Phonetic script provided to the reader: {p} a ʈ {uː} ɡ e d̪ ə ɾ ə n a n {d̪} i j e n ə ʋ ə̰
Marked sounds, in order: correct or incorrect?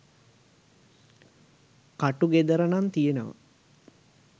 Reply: incorrect, incorrect, incorrect

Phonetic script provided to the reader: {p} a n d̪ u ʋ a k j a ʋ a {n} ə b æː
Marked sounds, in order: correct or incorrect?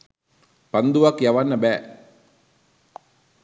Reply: correct, incorrect

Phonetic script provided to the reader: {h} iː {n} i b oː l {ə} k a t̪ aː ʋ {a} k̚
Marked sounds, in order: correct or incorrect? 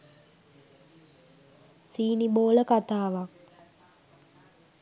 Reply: incorrect, correct, correct, correct

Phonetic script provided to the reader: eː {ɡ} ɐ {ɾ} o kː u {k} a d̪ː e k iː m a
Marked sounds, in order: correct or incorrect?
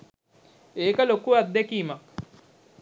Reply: incorrect, incorrect, incorrect

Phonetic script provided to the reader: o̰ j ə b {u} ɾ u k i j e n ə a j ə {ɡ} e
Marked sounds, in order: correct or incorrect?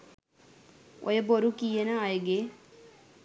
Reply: incorrect, correct

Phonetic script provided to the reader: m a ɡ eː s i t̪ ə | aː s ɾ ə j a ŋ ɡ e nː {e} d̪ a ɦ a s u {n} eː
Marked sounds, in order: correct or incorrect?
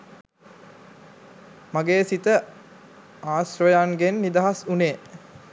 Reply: incorrect, correct

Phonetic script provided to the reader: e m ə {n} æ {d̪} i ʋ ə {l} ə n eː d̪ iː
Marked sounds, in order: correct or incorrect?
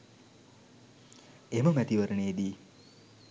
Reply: incorrect, incorrect, incorrect

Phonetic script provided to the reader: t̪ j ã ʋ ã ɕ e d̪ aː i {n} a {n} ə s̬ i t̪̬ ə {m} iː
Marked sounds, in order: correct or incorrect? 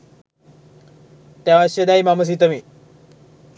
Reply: incorrect, incorrect, correct

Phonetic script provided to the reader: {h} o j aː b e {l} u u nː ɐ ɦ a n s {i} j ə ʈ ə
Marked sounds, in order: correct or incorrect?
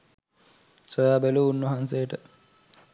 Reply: incorrect, correct, incorrect

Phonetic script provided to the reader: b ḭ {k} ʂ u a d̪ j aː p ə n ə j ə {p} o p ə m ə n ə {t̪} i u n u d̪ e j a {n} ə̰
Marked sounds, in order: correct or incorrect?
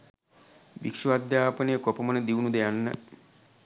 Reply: correct, incorrect, incorrect, incorrect

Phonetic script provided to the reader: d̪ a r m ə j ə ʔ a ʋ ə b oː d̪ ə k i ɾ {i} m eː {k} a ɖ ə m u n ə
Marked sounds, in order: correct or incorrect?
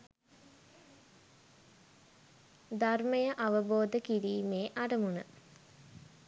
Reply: incorrect, incorrect

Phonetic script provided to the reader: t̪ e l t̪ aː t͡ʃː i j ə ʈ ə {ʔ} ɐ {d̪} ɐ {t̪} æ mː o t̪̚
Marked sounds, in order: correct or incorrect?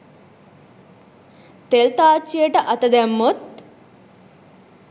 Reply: correct, incorrect, incorrect

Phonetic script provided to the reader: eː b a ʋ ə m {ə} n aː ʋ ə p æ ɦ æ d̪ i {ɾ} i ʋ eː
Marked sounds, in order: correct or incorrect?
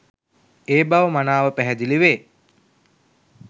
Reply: incorrect, incorrect

